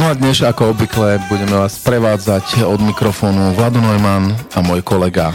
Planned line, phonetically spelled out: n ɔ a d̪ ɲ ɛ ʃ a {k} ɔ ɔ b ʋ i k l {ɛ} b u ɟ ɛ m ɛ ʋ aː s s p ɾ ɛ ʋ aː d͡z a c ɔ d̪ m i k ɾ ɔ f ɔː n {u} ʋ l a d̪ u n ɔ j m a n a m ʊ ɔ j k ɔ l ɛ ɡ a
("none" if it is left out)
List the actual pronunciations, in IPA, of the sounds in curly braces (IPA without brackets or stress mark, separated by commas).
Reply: k, ɛ, u